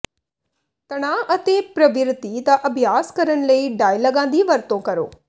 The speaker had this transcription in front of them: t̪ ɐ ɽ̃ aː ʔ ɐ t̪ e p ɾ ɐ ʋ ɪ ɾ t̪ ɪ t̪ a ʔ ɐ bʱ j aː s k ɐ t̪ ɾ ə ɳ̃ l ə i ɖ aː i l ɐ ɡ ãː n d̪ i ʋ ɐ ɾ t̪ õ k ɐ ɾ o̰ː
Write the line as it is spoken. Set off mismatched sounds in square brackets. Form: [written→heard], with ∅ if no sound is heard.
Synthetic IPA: t̪ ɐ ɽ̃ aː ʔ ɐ t̪ e p ɾ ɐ ʋ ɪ ɾ t̪ [ɪ→i] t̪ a ʔ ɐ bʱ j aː s k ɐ [t̪→∅] ɾ ə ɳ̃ l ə i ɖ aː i l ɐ ɡ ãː n d̪ i ʋ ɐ ɾ t̪ õ k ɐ ɾ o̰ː